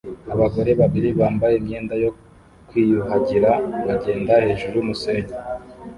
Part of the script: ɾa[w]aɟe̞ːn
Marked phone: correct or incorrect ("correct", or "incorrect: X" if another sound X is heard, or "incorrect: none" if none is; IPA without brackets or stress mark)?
incorrect: β